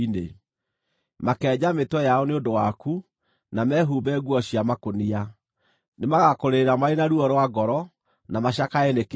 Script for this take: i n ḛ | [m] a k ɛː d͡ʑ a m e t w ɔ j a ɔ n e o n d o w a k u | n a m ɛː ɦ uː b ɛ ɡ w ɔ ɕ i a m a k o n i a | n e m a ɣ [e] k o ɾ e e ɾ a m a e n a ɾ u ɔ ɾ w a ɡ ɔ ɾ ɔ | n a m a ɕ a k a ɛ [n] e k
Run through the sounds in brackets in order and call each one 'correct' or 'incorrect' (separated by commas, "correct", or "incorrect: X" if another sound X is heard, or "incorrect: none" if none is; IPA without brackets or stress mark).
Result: correct, incorrect: a, correct